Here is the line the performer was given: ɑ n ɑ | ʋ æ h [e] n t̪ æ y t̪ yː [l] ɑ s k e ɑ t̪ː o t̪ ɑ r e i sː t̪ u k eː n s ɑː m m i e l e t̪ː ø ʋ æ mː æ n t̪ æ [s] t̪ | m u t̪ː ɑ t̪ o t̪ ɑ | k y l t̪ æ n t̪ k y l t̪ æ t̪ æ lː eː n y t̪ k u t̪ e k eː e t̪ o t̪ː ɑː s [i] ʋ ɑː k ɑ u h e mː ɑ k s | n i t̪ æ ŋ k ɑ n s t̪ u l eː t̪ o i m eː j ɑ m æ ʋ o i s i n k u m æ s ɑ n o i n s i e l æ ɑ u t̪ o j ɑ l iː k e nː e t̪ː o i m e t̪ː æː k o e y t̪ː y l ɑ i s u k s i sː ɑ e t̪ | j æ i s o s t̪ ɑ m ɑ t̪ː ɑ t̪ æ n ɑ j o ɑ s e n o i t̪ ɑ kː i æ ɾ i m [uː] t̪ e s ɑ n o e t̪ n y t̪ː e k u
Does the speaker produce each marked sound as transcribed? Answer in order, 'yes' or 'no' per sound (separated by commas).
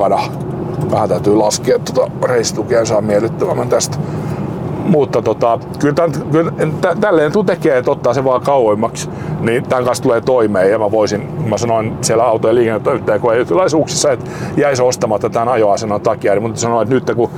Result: no, yes, yes, no, no